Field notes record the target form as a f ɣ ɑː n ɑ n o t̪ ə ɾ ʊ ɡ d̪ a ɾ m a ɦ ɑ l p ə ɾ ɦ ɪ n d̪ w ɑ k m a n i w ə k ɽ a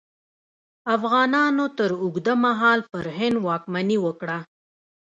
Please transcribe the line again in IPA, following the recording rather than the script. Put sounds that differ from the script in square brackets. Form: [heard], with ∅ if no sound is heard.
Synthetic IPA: a f ɣ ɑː n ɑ n o t̪ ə ɾ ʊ ɡ d̪ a [∅] m a ɦ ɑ l p ə ɾ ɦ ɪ n d̪ w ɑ k m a n i w ə k ɽ a